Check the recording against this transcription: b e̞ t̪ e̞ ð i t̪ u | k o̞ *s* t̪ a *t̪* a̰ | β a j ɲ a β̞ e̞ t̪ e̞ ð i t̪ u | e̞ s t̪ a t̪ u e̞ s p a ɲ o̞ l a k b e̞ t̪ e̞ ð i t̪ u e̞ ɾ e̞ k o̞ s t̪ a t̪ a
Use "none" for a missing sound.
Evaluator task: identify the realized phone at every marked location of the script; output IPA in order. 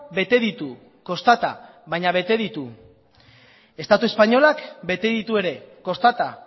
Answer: s, t̪

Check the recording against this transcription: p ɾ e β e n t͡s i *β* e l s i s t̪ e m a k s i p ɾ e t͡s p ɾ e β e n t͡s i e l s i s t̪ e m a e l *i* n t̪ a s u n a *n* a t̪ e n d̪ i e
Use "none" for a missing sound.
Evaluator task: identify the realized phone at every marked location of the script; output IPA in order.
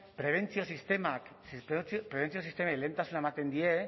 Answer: none, e, m

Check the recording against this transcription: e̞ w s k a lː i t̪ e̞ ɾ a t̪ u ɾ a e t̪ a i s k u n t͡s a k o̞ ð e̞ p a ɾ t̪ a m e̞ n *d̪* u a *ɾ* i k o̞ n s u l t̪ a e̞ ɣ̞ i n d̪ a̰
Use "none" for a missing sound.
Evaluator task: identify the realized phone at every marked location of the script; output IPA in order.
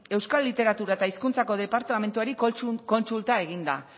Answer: t̪, ɾ

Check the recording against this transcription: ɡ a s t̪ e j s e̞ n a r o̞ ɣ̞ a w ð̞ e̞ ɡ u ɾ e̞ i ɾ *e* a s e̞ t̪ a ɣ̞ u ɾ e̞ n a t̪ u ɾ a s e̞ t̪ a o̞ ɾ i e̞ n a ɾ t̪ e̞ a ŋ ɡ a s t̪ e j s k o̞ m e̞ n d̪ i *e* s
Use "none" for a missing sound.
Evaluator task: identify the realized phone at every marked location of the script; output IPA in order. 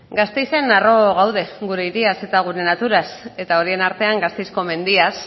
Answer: i, a

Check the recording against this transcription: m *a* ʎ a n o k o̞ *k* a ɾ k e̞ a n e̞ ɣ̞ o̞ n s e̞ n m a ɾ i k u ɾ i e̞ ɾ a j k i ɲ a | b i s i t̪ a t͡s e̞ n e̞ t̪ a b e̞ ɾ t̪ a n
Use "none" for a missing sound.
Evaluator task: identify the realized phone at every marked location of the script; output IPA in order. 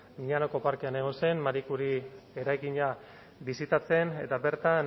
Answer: i, p

